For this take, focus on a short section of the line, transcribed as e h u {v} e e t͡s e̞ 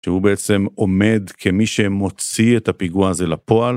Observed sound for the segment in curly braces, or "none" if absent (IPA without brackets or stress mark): b